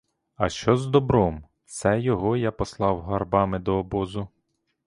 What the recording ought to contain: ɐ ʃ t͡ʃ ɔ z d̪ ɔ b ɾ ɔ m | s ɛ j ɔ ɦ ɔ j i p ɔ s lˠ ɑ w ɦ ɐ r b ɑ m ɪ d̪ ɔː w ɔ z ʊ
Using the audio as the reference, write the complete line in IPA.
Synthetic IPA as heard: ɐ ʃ t͡ʃ ɔ z d̪ ɔ b ɾ ɔ m | s ɛ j ɔ ɦ ɔ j a p ɔ s lˠ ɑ w ɦ ɐ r b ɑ m ɪ d̪ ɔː b ɔ z ʊ